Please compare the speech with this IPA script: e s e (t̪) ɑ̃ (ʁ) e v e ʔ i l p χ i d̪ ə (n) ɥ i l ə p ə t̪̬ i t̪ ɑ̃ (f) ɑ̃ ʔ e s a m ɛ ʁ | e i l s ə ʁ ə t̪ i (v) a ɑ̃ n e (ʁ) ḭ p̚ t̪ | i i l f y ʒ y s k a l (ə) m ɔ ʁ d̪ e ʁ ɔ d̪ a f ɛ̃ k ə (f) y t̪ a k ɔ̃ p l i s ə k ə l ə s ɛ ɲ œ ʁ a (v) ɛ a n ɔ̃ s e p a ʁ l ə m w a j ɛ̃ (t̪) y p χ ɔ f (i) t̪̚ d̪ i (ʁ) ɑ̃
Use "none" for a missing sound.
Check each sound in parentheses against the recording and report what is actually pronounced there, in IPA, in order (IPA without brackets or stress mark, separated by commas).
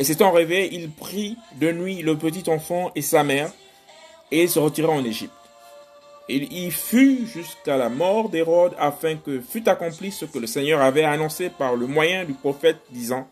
t̪, ʁ, n, f, ʁ, ʒ, a, f, v, d̪, ɛ, z